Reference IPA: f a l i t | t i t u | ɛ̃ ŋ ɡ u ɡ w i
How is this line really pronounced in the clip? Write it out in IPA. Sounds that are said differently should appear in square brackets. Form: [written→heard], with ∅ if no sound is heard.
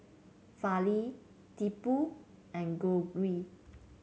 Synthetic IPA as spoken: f a l i [t→∅] | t i [t→p] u | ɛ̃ [ŋ→n] ɡ [u→o] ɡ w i